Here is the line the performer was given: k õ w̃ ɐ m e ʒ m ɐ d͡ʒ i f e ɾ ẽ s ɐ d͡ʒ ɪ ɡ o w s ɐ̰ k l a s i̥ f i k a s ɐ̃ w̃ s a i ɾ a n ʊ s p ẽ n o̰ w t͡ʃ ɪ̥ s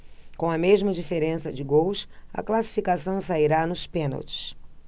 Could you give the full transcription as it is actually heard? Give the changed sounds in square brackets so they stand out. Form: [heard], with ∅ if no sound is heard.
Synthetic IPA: k õ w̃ ɐ m e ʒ m ɐ d͡ʒ i f e ɾ ẽ s ɐ d͡ʒ ɪ ɡ o w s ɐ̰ k l a s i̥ f i k a s ɐ̃ w̃ s a i ɾ a n ʊ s p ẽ n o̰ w t͡ʃ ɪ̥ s